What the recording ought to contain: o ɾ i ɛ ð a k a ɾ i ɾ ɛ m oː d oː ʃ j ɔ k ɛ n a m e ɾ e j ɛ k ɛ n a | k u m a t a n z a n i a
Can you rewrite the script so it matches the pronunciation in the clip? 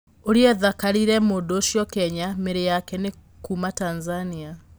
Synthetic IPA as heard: o ɾ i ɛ ð a k a ɾ i ɾ ɛ m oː d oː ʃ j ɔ k ɛ ɲ a m e ɾ e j a k ɛ n e | k u m a t a n z a n i a

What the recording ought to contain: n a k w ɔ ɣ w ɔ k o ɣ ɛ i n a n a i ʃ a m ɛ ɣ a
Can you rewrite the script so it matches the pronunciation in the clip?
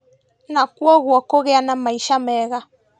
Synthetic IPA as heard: n a k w ɔ ɣ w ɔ k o ɣ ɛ a n a m a i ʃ a m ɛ ɣ a

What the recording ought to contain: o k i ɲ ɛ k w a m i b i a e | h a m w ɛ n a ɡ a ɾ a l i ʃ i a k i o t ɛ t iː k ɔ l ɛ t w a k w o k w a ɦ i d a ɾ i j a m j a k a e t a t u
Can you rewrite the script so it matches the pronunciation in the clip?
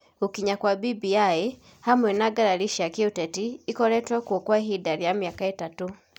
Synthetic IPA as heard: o k i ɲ a k w a b i b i a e | h a m w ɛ n a ɡ a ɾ a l i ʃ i a k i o t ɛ t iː k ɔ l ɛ t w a k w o k w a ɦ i d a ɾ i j a m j a k a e t a t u

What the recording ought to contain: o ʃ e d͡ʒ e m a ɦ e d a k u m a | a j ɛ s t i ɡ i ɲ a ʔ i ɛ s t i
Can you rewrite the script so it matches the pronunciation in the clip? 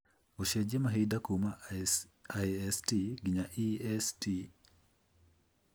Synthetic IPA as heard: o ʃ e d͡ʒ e m a ɦ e d a k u m a | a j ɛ s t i ɡ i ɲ a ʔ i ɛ s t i

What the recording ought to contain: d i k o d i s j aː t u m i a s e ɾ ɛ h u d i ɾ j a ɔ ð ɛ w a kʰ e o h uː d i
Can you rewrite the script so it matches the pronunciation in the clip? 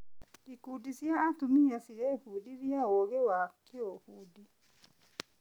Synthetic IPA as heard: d i k u d i s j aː t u m i a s i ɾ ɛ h u d i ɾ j a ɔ ɣ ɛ w a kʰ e o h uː d i

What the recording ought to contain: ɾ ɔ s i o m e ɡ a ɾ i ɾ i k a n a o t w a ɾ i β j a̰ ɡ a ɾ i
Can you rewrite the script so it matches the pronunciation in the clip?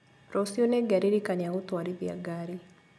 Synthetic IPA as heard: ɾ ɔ s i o n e ɡ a ɾ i ɾ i k a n a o t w a ɾ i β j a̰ ɡ a ɾ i

